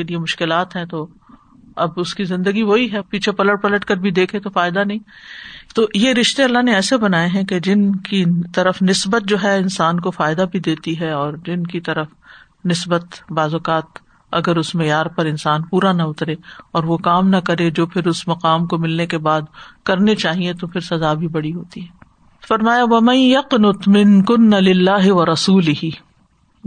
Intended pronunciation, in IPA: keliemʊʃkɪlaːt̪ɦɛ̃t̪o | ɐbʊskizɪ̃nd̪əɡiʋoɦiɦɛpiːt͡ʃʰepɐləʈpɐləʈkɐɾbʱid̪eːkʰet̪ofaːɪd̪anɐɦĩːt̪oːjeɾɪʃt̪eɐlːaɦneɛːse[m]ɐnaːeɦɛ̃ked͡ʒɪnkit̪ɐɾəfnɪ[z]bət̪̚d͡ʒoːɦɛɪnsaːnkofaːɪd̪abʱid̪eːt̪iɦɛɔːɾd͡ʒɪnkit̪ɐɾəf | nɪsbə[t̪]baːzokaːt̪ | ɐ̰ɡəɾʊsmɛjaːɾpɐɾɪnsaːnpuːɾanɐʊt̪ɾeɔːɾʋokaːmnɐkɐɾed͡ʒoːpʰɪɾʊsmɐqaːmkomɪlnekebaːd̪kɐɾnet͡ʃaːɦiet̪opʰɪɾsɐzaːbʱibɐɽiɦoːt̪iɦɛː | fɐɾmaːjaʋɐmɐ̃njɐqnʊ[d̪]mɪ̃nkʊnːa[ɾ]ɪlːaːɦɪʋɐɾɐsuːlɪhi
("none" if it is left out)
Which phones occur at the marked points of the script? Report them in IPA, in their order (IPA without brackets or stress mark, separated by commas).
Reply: b, s, t̪, t̪, l